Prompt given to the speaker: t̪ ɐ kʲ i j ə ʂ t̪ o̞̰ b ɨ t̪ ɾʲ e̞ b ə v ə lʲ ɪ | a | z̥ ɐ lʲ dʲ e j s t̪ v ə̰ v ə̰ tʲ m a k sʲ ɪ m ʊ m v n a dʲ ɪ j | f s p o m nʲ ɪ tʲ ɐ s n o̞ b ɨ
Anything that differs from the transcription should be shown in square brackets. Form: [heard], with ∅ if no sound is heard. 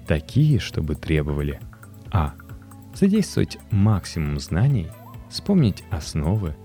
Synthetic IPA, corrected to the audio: t̪ ɐ kʲ i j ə ʂ t̪ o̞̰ b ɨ t̪ ɾʲ e̞ b ə v ə lʲ ɪ | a | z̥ ɐ [∅] dʲ e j s t̪ v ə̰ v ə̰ tʲ m a k sʲ ɪ m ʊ m [z] n a [nʲ] ɪ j | f s p o m nʲ ɪ tʲ ɐ s n o̞ [v] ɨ